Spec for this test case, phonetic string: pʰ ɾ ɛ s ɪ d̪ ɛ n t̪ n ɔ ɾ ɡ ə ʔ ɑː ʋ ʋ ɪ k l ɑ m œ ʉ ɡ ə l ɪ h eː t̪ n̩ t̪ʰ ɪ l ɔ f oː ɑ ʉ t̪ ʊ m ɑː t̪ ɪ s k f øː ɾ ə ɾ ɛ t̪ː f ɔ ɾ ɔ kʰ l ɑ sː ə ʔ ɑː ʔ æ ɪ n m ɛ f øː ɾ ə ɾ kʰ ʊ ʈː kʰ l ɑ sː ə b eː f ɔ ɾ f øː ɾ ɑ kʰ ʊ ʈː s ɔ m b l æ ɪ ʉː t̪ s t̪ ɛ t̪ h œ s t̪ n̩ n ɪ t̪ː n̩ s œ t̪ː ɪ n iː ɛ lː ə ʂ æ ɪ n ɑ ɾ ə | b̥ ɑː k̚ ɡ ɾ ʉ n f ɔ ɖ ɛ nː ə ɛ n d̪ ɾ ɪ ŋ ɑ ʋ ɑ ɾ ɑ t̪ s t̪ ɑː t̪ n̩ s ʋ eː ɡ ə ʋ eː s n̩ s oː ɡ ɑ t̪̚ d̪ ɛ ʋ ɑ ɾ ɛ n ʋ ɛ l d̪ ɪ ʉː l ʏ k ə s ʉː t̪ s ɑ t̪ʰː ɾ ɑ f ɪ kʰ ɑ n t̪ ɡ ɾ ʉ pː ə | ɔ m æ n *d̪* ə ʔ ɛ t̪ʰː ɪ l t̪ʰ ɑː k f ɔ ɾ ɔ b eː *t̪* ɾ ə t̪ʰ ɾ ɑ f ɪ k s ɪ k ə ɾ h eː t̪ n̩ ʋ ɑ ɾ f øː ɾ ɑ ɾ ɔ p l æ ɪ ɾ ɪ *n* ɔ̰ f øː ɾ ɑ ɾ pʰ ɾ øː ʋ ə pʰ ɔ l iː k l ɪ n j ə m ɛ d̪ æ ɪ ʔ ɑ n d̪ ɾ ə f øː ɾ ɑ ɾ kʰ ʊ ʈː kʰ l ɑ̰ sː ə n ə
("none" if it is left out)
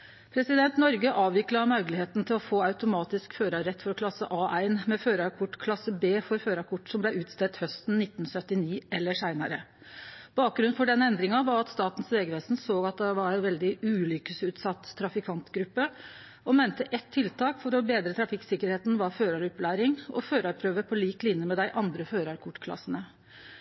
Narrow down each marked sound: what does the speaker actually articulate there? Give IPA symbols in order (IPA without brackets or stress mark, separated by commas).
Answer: t̪, d̪, ŋ